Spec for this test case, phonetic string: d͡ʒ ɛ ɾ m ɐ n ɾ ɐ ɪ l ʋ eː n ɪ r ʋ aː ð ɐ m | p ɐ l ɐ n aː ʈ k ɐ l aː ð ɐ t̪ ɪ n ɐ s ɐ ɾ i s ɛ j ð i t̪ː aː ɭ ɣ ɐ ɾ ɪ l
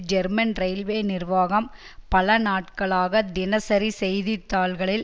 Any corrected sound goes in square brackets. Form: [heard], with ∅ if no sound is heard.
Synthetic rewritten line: d͡ʒ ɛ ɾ m ɐ n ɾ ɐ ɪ l ʋ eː n ɪ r ʋ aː [ɣ] ɐ m | p ɐ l ɐ n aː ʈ k ɐ [ɭ] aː [ɣ] ɐ [d̪] ɪ n ɐ s ɐ ɾ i s ɛ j ð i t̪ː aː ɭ ɣ ɐ [ɭ] ɪ l